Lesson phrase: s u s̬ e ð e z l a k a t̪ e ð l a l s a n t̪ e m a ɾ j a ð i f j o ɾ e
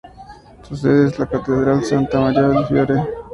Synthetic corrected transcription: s u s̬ e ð e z l a k a t̪ e ð ɾ a l s a n t̪ a m a ɾ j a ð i f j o ɾ e